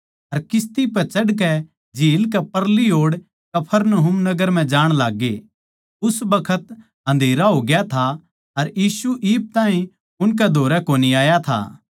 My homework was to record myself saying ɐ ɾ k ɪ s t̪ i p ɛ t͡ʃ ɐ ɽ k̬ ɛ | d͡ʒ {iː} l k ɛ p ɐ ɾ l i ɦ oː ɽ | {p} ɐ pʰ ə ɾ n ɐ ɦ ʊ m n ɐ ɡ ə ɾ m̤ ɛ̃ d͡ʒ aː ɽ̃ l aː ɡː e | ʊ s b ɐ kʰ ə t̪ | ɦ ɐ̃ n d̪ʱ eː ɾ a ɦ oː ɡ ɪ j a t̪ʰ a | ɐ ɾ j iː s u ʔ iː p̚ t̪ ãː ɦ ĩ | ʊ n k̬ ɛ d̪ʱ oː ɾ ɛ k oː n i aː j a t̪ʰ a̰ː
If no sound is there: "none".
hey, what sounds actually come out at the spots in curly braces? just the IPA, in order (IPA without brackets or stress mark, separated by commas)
iː, k